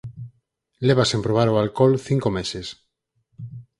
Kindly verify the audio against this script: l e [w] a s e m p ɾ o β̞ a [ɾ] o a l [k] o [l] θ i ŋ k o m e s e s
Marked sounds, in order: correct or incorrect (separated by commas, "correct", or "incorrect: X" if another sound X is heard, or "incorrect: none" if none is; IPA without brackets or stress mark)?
incorrect: β, correct, correct, correct